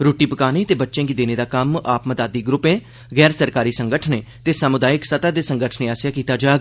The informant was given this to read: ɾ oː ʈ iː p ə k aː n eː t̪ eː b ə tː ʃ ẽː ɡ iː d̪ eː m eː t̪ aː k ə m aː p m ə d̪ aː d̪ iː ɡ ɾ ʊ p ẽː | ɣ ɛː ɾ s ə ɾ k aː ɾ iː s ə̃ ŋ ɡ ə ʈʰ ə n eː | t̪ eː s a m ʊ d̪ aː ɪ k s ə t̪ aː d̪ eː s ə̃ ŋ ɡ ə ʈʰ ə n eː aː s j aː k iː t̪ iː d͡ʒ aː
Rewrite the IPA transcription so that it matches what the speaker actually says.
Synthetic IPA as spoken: ɾ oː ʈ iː p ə k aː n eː t̪ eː b ə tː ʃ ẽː ɡ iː d̪ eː n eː d̪ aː k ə m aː p m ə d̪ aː d̪ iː ɡ ɾ ʊ p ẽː | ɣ ɛː ɾ s ə ɾ k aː ɾ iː s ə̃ ŋ ɡ ə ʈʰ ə n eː | t̪ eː s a m ʊ d̪ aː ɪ k s ə t̪ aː d̪ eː s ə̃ ŋ ɡ ə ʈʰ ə n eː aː s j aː k iː t̪ aː d͡ʒ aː

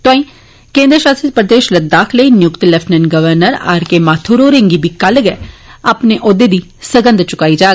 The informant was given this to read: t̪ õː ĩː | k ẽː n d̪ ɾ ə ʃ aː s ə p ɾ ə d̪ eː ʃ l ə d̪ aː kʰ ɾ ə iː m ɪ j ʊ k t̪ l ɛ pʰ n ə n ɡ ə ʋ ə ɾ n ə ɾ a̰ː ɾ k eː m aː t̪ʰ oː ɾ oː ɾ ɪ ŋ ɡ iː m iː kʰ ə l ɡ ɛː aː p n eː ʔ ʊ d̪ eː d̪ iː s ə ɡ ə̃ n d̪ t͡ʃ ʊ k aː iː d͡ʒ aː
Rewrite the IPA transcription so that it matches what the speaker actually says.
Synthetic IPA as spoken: t̪ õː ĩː | k ẽː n d̪ ɾ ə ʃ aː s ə p ɾ ə d̪ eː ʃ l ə d̪ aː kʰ l ə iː n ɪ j ʊ k t̪ l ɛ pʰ n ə n ɡ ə ʋ ə ɾ n ə ɾ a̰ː ɾ k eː m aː t̪ʰ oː ɾ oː ɾ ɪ ŋ ɡ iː b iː k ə l ɡ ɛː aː p n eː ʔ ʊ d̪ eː d̪ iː s ə ɡ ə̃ n d̪ t͡ʃ ʊ k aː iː d͡ʒ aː

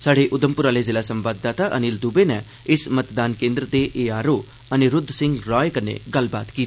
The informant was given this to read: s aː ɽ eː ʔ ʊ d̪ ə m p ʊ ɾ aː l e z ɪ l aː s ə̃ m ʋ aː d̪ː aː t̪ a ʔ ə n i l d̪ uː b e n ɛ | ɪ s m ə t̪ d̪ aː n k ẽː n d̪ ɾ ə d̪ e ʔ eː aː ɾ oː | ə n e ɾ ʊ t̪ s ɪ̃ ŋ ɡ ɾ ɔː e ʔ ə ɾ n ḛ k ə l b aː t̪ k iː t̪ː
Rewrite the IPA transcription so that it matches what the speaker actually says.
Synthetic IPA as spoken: s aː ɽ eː ʔ ʊ d̪ ə m p ʊ ɾ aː l e z ɪ l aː s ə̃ m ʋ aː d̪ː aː t̪ a ʔ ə n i l d̪ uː b e n ɛ | ɪ s m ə t̪ d̪ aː n k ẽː n d̪ ɾ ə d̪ e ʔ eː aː ɾ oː | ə n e ɾ ʊ d̪ s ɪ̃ ŋ ɡ ɾ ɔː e k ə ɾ n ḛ ɡ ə l b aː t̪ k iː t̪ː

